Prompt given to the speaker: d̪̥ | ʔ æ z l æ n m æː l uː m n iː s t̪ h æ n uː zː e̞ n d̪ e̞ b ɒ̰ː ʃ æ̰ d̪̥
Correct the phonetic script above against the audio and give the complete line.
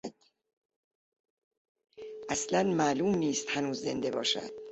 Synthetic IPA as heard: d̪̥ | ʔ æ s l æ n m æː l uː m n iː s t̪ h æ n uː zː e̞ n d̪ e̞ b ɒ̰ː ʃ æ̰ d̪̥